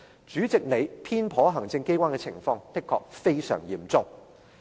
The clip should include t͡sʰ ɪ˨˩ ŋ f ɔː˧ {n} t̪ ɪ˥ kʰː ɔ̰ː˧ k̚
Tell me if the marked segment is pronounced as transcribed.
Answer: no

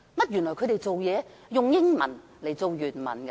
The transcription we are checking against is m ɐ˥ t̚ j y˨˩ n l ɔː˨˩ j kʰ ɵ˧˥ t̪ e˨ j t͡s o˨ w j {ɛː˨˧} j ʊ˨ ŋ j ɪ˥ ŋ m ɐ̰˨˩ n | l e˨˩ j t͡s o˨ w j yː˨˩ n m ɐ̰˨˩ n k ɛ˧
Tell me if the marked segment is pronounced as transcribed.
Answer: yes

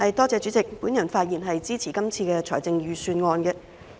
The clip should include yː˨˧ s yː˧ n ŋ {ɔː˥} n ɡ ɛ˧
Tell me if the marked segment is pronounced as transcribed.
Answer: no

